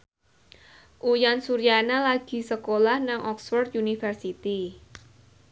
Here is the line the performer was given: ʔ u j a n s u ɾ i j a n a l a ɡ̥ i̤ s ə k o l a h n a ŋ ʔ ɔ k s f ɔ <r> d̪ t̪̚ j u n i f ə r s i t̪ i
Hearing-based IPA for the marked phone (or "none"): r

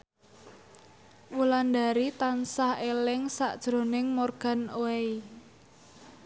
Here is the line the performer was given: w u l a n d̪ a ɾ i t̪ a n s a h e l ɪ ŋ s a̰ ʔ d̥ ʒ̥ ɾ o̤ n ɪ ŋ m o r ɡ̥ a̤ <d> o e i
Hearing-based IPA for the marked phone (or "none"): n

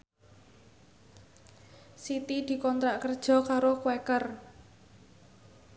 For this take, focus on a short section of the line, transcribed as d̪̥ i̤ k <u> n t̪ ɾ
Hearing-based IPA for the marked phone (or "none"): ɔ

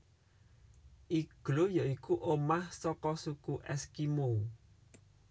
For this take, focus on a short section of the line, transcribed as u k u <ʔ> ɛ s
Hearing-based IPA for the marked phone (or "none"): ʔ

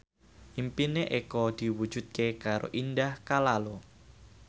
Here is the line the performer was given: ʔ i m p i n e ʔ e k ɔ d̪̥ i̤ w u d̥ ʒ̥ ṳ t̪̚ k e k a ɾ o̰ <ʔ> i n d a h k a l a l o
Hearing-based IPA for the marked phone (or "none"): ʔ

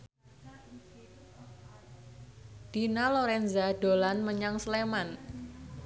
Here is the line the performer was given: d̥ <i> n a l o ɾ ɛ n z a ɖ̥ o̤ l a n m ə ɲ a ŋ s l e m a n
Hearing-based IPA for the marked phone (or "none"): i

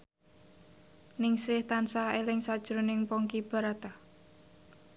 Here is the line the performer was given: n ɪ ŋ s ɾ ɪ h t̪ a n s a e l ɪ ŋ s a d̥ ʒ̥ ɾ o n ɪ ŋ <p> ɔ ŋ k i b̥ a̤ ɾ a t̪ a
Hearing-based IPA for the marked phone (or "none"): p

